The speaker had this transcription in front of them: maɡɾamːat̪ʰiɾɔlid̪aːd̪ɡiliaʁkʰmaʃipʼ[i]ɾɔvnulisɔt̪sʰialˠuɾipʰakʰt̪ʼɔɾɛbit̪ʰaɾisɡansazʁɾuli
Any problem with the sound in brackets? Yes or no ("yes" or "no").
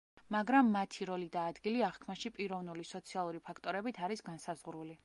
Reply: no